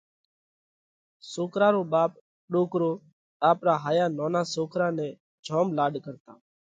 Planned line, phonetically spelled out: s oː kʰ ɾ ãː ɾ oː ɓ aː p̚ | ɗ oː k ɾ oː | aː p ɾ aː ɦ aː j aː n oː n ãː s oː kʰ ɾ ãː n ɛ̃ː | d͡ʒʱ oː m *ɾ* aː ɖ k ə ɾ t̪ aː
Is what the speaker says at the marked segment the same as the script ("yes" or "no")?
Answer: no